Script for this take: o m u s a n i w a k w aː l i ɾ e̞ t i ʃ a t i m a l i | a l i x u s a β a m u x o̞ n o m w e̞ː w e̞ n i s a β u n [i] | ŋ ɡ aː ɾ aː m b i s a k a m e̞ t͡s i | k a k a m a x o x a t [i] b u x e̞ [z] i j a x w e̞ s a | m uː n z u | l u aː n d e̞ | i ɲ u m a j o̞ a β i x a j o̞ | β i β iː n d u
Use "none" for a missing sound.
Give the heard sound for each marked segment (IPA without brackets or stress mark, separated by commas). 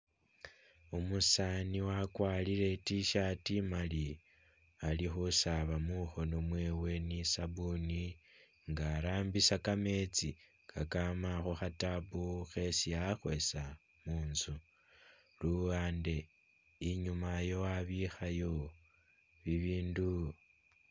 i, a, s